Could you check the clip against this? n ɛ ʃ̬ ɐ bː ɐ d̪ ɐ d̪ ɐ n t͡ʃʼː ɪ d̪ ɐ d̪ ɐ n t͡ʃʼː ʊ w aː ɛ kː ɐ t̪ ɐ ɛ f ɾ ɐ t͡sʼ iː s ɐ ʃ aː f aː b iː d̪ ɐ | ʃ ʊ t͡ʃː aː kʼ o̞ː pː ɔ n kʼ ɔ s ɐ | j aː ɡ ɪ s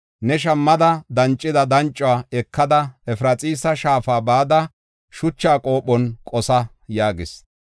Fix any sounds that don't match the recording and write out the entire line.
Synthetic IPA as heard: n ɛ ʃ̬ ɐ mː ɐ d̪ ɐ d̪ ɐ n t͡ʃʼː ɪ d̪ ɐ d̪ ɐ n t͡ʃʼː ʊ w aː ɛ kː ɐ d̪ ɐ ɛ f ɾ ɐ t͡sʼ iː s ɐ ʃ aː f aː b aː d̪ ɐ | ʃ ʊ t͡ʃː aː kʼ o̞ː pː ɔ n kʼ ɔ s ɐ | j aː ɡ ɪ s